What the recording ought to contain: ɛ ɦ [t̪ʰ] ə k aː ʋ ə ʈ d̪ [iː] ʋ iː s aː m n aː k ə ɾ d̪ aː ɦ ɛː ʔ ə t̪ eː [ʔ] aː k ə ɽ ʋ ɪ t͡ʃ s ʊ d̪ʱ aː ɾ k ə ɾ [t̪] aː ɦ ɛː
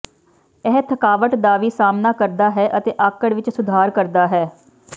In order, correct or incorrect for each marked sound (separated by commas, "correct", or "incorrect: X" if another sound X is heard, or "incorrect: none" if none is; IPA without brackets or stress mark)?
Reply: correct, incorrect: aː, correct, incorrect: d̪